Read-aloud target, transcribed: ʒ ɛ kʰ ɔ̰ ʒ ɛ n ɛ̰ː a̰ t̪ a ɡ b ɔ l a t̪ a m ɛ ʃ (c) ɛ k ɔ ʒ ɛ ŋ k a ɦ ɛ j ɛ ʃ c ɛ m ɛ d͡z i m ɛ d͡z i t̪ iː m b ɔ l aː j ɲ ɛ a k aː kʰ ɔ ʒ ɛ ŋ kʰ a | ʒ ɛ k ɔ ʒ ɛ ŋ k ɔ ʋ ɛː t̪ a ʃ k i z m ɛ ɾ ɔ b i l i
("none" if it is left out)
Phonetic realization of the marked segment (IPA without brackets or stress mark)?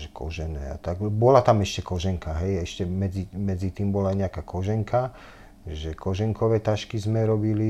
c